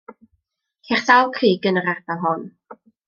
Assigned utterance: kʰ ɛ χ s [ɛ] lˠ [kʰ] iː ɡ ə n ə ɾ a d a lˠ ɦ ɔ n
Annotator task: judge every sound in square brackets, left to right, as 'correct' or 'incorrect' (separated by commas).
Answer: incorrect, correct